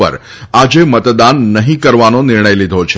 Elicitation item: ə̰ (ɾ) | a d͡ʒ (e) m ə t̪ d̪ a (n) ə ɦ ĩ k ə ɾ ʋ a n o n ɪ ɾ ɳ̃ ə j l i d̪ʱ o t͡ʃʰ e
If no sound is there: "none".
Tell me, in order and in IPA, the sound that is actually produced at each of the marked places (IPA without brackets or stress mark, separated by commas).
ɾ, e, nː